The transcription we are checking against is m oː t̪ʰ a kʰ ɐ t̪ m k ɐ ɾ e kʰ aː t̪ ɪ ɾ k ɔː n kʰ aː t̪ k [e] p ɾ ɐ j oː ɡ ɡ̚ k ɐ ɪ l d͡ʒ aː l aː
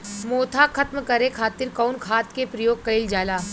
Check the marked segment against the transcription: correct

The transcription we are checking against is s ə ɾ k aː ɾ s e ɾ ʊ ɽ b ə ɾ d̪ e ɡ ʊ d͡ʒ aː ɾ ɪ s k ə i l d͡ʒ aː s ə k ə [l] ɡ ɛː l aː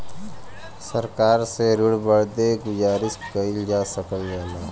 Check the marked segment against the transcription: correct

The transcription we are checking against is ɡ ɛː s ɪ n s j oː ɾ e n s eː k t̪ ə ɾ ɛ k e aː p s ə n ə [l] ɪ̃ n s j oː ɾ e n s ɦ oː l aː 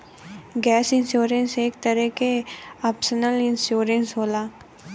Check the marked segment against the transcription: correct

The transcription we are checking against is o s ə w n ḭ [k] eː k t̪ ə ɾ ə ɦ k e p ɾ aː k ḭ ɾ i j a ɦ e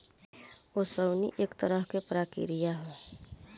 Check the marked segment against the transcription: incorrect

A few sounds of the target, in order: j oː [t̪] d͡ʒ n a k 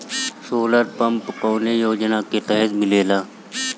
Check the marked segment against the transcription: incorrect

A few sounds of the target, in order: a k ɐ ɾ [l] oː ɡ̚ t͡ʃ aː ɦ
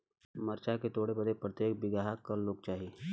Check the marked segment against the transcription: correct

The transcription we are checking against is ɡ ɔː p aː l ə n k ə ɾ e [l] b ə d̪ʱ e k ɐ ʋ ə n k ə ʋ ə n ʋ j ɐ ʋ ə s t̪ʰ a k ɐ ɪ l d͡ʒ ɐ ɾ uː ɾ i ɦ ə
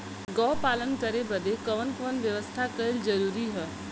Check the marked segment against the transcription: incorrect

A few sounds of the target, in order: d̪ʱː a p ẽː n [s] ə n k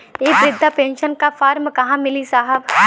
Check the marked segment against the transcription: incorrect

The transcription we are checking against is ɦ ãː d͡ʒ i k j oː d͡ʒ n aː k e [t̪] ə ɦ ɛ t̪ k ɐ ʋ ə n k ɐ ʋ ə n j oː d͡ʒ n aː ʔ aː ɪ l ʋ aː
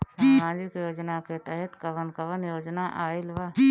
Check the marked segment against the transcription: correct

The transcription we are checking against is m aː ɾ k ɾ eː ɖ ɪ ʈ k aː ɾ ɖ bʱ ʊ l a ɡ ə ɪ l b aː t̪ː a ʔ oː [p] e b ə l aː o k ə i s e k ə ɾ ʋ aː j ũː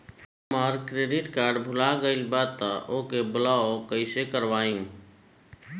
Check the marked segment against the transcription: incorrect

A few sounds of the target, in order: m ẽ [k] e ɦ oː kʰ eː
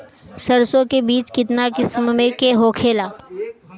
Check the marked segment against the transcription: correct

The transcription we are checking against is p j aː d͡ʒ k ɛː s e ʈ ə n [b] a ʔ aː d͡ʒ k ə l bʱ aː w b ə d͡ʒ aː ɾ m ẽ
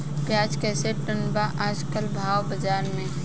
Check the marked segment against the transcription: correct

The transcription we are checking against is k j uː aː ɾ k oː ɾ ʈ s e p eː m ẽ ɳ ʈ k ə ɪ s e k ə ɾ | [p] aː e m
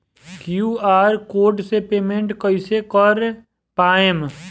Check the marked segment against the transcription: correct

